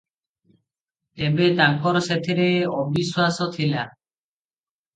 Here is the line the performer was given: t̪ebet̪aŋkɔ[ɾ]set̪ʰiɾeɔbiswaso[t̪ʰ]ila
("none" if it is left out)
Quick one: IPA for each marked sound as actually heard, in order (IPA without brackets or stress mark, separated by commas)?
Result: ɾ, t̪ʰ